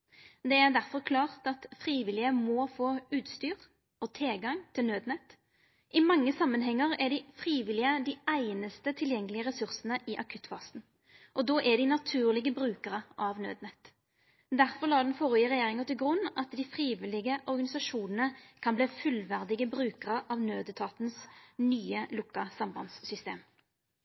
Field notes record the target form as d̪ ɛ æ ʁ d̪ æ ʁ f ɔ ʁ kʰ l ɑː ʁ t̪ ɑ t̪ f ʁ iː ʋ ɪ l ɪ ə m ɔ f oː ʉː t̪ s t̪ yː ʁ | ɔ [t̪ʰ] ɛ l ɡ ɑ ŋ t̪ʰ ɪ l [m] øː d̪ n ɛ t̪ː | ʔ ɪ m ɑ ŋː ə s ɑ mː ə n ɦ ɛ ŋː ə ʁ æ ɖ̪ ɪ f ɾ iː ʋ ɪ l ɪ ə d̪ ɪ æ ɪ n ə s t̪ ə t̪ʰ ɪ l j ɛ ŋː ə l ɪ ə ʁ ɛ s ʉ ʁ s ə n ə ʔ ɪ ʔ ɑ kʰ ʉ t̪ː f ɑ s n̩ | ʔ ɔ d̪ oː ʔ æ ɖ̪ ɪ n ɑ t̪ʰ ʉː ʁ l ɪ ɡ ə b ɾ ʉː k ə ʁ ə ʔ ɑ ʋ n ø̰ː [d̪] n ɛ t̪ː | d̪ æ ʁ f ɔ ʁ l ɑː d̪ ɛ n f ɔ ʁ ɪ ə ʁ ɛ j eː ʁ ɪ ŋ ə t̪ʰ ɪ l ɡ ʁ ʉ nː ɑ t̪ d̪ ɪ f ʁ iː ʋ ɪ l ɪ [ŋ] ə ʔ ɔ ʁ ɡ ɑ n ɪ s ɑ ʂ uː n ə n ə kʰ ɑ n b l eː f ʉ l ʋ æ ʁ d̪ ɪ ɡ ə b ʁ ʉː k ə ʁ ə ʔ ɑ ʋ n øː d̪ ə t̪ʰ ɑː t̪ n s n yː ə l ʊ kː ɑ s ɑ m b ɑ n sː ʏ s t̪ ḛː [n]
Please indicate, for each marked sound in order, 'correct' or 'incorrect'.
correct, incorrect: n, correct, incorrect: ɡ, incorrect: m

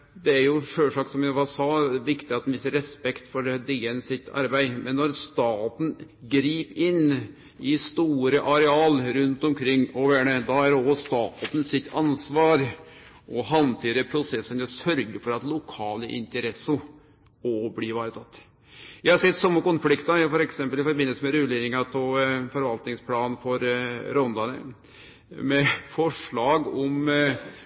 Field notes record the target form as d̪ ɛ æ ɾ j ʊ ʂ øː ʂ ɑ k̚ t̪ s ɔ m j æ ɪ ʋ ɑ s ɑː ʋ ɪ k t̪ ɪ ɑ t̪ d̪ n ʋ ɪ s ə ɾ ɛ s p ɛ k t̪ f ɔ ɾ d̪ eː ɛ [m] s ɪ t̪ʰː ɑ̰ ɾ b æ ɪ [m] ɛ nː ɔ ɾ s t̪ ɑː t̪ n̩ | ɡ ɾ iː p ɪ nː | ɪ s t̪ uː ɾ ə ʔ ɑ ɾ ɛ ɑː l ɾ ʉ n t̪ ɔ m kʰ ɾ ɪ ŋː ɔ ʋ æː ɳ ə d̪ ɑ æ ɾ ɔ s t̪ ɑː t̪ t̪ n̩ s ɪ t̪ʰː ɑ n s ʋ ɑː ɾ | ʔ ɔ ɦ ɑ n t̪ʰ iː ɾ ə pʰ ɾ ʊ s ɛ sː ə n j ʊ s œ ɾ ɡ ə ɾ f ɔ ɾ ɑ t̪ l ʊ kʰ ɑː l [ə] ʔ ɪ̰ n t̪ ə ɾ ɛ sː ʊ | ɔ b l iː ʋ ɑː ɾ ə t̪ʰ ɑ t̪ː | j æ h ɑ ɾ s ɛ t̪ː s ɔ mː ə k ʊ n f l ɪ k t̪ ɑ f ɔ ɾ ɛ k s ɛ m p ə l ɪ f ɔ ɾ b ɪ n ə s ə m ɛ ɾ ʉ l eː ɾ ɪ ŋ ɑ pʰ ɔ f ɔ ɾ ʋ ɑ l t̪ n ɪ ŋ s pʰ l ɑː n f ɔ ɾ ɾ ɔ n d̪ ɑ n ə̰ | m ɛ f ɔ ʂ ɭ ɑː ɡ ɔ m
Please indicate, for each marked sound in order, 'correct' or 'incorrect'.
incorrect: n, correct, correct

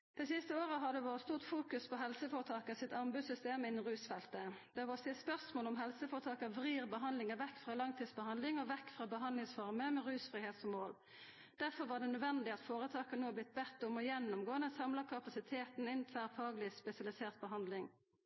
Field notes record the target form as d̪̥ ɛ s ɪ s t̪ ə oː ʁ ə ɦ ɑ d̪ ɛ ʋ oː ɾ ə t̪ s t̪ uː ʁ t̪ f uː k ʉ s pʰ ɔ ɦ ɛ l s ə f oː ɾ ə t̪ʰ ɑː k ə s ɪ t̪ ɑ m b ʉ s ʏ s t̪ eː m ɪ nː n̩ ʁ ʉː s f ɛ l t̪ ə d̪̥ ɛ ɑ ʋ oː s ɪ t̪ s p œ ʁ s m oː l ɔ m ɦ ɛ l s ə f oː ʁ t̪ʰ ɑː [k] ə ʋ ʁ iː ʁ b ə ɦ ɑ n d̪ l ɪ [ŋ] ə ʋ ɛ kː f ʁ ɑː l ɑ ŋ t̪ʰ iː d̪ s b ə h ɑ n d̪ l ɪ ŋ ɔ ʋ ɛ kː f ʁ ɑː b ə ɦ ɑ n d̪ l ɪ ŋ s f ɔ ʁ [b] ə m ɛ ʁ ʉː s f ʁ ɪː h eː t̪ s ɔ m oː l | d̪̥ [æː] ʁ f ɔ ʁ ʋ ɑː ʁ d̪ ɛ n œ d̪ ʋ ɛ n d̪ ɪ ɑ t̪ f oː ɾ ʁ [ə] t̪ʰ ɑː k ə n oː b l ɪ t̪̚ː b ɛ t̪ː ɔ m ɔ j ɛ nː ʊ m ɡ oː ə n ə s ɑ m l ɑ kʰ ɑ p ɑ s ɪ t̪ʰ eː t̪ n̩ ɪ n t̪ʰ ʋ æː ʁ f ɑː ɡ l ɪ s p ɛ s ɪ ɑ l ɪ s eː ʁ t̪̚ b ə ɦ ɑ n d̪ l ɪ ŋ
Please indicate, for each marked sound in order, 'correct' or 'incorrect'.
correct, correct, incorrect: m, incorrect: æ, correct

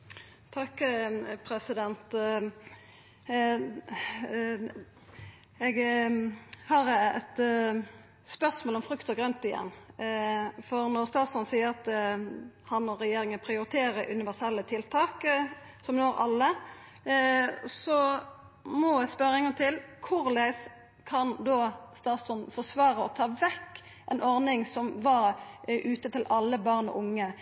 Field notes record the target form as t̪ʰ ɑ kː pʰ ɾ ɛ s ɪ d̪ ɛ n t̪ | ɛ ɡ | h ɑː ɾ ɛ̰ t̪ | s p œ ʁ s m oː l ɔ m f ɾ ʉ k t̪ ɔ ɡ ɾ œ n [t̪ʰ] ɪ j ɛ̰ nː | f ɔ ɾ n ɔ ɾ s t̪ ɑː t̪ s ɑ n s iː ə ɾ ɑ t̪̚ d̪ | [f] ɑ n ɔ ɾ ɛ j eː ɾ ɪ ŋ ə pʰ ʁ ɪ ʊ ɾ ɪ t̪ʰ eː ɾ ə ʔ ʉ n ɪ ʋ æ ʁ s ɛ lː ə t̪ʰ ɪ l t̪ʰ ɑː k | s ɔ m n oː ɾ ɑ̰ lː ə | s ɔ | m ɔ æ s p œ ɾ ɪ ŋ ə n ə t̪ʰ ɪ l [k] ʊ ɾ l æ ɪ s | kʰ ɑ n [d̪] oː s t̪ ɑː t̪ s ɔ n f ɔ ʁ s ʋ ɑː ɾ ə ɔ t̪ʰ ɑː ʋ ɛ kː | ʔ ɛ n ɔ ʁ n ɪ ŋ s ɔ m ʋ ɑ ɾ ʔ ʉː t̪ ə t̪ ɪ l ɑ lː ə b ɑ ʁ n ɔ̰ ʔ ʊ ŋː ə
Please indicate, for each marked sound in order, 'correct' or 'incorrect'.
incorrect: t̪, incorrect: h, incorrect: kʰ, correct

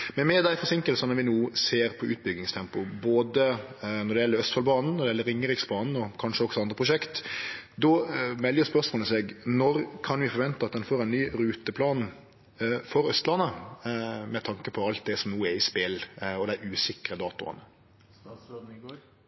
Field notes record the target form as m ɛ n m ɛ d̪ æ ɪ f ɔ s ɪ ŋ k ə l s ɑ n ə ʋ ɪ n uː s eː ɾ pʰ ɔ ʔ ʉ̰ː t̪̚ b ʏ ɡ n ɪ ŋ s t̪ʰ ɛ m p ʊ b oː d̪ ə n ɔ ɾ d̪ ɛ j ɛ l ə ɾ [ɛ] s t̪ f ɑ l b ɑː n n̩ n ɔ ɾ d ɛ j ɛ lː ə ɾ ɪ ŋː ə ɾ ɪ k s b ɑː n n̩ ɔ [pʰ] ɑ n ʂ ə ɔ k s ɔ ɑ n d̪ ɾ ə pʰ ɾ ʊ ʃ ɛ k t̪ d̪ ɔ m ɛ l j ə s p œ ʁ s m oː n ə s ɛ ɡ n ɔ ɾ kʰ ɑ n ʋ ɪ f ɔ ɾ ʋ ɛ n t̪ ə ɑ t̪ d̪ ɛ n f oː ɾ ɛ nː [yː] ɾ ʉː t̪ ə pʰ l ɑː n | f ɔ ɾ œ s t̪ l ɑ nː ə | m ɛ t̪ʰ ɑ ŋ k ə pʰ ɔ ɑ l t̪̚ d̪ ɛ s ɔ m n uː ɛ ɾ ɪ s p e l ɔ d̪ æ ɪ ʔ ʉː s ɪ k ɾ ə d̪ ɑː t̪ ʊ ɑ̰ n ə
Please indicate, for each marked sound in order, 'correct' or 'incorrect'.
incorrect: œ, incorrect: kʰ, correct

